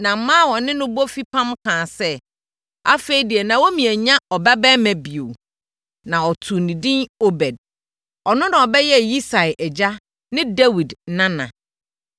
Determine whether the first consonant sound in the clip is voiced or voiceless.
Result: voiced